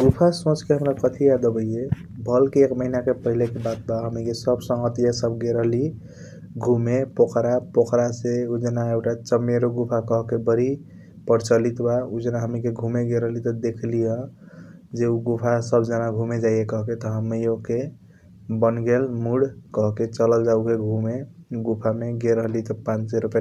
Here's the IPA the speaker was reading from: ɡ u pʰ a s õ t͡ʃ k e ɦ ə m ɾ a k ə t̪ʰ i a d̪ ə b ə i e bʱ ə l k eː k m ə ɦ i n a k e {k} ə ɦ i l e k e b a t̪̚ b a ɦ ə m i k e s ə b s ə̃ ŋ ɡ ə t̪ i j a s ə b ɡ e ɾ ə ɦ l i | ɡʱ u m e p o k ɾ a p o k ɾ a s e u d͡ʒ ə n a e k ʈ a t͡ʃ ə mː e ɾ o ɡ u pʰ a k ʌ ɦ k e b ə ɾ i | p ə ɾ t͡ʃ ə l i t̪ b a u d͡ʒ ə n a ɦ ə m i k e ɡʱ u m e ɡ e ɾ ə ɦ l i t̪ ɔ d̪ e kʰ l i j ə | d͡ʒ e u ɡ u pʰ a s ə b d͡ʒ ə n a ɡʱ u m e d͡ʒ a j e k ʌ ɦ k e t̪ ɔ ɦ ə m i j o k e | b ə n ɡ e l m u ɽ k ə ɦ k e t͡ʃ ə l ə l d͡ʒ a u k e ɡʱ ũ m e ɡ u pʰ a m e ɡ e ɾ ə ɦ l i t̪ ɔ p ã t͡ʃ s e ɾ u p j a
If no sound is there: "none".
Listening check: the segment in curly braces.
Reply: p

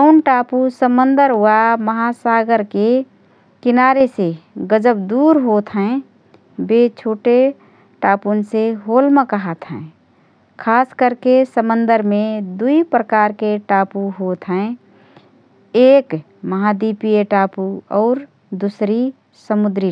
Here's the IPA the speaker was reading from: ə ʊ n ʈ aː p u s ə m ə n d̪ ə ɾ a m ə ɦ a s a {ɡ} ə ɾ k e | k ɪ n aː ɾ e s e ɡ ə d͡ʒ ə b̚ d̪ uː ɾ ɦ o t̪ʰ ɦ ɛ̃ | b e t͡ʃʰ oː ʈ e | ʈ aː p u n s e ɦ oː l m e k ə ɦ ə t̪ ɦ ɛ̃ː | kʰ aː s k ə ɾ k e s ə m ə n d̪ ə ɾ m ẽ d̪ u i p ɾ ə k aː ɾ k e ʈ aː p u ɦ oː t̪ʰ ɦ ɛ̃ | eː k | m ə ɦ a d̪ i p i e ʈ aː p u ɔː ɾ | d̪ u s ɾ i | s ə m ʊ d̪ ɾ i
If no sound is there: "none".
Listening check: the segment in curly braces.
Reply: ɡ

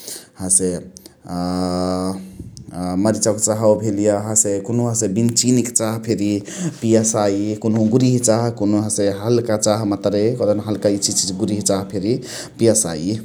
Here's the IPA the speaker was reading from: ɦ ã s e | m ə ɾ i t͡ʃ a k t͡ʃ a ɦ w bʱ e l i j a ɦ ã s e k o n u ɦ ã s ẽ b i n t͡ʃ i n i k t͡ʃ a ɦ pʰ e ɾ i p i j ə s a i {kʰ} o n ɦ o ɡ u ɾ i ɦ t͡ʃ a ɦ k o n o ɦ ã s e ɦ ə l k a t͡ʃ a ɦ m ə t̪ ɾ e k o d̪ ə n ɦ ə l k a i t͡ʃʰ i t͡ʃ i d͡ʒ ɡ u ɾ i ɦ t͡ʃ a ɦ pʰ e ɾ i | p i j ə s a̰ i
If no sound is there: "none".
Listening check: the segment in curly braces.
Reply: k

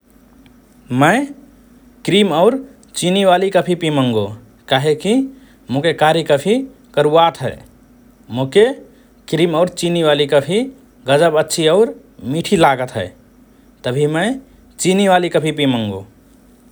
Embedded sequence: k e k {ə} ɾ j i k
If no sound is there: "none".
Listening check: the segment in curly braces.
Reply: a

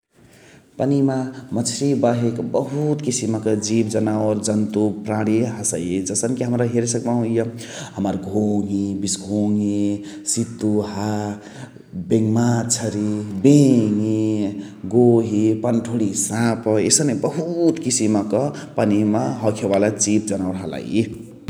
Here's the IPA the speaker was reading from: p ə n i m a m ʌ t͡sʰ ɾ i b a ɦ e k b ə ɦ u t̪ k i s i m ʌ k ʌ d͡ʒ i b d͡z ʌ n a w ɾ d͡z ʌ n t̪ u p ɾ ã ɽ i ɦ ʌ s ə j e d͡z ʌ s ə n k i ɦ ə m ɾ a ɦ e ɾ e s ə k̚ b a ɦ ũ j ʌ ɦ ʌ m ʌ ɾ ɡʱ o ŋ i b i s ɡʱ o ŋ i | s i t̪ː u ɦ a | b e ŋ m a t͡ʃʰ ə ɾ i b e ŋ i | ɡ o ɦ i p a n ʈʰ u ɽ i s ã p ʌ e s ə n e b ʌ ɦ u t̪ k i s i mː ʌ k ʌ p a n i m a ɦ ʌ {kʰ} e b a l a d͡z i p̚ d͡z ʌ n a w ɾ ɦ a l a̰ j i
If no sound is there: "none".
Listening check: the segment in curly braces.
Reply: kʰ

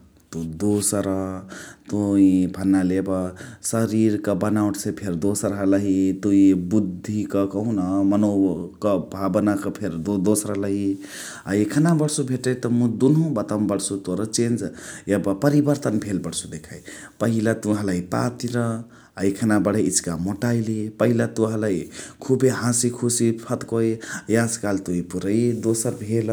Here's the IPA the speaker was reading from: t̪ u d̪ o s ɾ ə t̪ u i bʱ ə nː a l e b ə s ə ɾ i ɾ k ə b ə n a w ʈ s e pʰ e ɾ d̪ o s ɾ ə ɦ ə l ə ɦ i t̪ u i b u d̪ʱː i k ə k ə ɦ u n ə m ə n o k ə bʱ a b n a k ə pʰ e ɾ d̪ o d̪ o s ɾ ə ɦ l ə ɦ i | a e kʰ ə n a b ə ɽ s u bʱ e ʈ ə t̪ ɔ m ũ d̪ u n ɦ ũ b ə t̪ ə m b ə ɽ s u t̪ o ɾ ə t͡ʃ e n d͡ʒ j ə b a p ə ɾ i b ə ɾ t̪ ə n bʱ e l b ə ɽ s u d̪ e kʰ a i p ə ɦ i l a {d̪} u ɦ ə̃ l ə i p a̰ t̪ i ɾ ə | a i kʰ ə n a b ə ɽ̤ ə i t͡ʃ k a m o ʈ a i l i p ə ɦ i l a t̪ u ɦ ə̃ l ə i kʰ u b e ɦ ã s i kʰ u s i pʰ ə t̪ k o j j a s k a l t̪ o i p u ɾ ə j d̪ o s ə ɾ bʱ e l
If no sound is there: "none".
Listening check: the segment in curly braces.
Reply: t̪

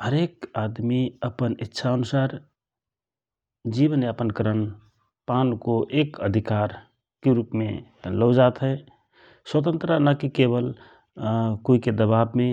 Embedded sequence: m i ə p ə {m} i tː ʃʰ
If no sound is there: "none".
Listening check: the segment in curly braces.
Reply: n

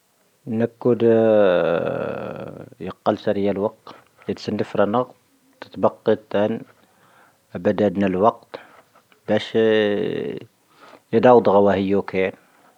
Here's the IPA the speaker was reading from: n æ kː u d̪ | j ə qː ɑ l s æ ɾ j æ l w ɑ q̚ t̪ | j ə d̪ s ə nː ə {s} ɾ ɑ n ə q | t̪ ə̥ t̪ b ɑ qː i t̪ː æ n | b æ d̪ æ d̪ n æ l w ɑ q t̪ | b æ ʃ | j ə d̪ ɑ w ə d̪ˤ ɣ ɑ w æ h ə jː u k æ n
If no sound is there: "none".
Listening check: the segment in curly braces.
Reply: f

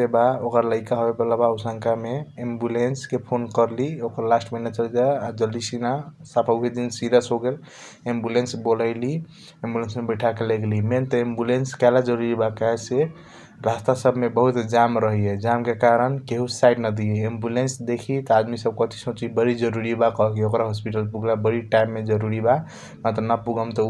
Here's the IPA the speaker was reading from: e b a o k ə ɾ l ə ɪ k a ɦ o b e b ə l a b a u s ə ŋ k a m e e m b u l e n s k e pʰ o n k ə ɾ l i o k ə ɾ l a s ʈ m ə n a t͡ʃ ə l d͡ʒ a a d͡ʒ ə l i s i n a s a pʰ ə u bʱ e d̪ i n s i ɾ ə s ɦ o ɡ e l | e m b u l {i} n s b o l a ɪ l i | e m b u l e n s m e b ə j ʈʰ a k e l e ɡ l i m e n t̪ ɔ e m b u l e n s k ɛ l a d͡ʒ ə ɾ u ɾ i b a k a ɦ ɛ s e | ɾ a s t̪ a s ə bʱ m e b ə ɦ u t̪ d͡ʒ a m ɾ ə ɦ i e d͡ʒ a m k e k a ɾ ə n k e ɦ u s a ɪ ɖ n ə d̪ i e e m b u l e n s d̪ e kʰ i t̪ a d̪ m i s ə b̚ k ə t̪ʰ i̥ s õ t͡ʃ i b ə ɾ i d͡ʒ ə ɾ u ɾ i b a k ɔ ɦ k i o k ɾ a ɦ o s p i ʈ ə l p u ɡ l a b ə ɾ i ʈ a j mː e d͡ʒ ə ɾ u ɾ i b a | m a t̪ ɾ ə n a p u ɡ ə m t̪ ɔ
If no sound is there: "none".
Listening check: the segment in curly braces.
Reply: e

